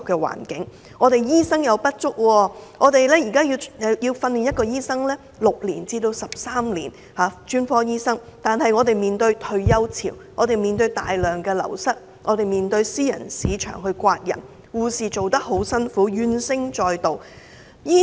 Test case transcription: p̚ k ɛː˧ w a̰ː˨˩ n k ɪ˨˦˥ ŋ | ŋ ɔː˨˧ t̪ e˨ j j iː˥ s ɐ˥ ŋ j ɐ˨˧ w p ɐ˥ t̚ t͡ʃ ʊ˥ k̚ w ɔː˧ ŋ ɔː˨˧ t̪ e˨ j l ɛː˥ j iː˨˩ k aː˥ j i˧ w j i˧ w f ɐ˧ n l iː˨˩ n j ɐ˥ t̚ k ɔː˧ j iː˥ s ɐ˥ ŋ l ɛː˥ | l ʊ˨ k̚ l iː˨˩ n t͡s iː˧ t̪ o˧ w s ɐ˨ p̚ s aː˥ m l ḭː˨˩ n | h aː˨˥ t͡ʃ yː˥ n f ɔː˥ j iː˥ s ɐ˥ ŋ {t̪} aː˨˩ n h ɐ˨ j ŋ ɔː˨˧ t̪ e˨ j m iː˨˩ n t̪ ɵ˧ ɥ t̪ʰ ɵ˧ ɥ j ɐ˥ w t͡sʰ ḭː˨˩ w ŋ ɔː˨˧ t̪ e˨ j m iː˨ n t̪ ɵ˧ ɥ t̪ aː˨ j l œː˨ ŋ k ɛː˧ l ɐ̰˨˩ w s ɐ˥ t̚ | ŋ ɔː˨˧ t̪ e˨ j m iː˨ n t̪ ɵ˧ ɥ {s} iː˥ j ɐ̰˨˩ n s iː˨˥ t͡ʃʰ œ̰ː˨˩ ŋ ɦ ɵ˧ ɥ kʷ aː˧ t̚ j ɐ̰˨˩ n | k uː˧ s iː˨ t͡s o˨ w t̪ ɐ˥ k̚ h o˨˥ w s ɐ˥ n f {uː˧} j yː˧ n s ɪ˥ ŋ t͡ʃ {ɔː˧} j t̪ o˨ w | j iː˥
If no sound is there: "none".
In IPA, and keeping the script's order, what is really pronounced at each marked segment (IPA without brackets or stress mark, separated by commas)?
t̪, s, uː˨˥, ɔː˧